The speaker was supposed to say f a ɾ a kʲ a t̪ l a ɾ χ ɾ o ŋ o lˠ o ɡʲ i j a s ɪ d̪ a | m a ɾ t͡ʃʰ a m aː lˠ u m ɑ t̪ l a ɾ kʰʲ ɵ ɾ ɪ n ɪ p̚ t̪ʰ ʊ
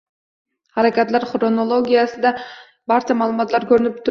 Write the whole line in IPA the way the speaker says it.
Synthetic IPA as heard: h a ɾ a kʲ a t̪ l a ɾ χ ɾ o n o lˠ o ɡʲ i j a s ɪ d̪ a | b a ɾ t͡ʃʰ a m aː lˠ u m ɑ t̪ l a ɾ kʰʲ ɵ ɾ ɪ n ɪ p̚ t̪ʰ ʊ